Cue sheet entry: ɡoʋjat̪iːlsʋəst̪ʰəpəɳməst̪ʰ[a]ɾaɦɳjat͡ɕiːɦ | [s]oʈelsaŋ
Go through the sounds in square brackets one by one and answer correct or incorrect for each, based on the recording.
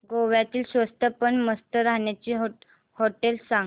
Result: incorrect: ə, incorrect: h

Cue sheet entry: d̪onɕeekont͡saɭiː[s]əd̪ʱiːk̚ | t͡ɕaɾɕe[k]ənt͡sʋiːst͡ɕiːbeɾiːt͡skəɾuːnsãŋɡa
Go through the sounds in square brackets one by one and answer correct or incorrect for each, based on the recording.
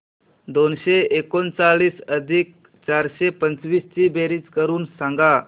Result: correct, incorrect: p

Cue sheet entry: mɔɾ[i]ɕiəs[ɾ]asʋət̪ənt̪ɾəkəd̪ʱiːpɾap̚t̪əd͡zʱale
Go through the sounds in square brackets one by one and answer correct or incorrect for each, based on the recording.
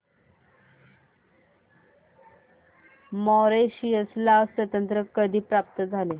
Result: incorrect: e, incorrect: l

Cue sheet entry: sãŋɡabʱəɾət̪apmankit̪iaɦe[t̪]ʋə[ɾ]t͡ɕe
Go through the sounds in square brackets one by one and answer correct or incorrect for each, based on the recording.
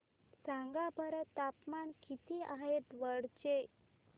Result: correct, incorrect: ɽ

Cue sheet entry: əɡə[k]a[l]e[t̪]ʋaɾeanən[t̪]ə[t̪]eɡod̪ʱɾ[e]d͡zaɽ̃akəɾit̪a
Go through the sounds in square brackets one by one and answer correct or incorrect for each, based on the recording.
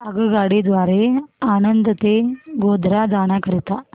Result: incorrect: ɡ, incorrect: ɽ, incorrect: d̪, incorrect: d̪, correct, incorrect: a

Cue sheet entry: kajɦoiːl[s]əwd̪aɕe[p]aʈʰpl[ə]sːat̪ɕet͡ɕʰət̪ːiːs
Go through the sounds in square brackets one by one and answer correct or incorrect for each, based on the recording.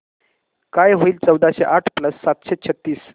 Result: incorrect: t͡s, incorrect: ʔ, correct

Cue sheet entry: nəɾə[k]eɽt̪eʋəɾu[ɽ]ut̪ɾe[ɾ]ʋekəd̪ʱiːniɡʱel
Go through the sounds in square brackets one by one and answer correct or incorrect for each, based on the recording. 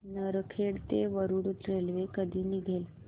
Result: incorrect: kʰ, correct, incorrect: l

